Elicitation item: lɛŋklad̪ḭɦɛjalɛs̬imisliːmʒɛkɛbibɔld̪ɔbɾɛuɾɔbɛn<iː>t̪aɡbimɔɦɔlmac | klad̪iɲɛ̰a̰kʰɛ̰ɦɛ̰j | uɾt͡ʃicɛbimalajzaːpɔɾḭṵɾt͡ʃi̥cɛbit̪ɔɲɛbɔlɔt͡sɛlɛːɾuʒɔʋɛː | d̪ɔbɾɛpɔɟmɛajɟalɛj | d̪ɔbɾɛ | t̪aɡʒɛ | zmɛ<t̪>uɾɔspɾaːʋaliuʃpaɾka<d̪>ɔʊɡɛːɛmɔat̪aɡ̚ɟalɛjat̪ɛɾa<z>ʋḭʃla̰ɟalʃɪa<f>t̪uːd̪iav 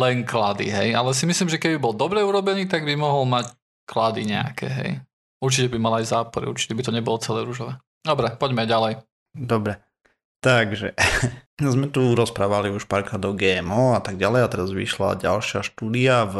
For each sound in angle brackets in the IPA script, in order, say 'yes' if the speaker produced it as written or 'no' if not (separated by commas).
yes, yes, yes, yes, no